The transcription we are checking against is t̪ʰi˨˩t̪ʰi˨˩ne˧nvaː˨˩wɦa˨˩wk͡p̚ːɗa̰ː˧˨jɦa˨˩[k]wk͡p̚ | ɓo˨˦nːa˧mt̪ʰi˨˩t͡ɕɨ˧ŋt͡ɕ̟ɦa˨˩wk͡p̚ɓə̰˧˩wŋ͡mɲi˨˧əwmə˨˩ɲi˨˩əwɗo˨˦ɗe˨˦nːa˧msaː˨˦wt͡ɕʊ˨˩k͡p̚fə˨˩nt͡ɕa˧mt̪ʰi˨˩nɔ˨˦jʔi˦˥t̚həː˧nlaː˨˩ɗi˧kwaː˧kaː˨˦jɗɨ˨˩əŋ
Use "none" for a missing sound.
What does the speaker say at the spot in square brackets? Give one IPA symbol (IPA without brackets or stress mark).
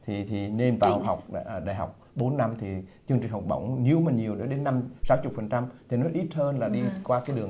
none